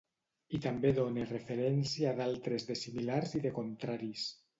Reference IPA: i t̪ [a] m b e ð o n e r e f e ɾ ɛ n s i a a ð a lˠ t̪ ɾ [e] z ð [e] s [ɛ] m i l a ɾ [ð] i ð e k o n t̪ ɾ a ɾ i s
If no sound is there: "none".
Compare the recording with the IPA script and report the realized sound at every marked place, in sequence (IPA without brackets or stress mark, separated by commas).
a, e, e, i, z